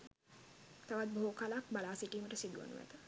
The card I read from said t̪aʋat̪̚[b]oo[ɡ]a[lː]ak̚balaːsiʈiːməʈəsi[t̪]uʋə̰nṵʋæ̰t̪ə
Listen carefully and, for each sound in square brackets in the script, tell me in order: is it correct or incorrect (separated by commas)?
correct, incorrect, incorrect, incorrect